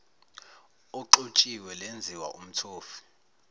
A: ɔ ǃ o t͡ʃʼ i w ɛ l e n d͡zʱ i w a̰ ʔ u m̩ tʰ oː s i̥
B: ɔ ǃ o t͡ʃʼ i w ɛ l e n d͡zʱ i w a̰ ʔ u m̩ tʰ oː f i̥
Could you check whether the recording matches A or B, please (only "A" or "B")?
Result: B